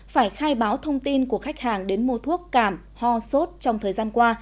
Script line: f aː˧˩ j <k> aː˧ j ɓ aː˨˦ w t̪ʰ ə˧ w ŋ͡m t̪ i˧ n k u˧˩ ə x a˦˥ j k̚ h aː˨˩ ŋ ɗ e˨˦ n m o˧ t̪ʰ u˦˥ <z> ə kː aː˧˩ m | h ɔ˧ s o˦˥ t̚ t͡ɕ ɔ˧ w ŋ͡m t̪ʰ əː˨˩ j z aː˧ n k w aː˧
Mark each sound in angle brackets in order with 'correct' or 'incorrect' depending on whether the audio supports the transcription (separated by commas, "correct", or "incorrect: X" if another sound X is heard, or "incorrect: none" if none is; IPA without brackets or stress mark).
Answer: incorrect: x, incorrect: none